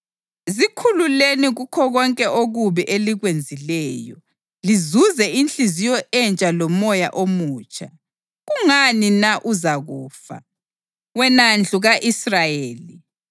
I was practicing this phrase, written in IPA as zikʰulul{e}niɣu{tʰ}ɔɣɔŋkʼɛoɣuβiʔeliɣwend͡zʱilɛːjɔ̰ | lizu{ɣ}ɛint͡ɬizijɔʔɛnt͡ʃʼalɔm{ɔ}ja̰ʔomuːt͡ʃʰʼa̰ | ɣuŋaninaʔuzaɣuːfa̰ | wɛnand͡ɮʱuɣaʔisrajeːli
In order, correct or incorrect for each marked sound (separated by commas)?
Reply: correct, incorrect, incorrect, correct